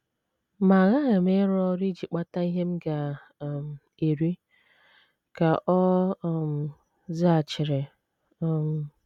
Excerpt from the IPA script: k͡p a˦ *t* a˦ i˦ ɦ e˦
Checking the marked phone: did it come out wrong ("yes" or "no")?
no